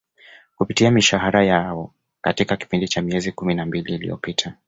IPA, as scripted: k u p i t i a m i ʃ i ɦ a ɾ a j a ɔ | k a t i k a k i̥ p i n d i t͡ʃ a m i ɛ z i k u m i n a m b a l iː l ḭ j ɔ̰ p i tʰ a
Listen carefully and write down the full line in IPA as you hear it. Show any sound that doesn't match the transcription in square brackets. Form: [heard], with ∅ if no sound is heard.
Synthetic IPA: k u p i t i a m i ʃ [a] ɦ a ɾ a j a ɔ | k a t i k a k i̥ p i n d i t͡ʃ a m i ɛ z i k u m i n a m b [i] l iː l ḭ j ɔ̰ p i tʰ a